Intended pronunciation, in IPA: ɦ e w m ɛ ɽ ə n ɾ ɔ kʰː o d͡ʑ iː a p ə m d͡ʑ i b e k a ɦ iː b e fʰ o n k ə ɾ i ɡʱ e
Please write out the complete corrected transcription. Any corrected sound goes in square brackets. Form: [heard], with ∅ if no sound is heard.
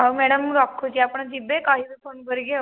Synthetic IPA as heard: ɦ [a] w m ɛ ɽ ə [m] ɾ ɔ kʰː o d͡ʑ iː a p ə [ɳ] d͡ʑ i b e k a ɦ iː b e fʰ o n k ə ɾ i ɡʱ e